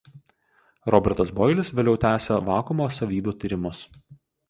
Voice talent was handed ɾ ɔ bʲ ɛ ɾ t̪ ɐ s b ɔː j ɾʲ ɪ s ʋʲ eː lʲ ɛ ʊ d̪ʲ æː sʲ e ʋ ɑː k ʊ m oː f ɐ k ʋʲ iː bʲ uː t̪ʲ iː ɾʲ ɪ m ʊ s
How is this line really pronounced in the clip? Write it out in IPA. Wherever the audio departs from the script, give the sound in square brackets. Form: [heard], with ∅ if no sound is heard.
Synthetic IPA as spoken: ɾ ɔ bʲ ɛ ɾ t̪ ɐ s b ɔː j [lʲ] ɪ s ʋʲ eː lʲ ɛ ʊ [t̪ʲ] æː sʲ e ʋ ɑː k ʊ m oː [s] ɐ [∅] ʋʲ iː bʲ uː t̪ʲ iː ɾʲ ɪ m ʊ s